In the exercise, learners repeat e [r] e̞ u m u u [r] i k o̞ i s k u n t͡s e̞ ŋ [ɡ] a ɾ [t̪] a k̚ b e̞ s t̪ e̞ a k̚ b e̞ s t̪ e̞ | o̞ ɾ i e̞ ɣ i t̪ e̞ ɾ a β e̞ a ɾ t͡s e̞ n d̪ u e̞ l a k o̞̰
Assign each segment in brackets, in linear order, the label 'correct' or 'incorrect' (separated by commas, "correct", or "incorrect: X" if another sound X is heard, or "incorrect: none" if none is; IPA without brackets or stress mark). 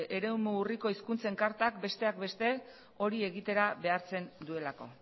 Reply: incorrect: ɾ, correct, incorrect: k, correct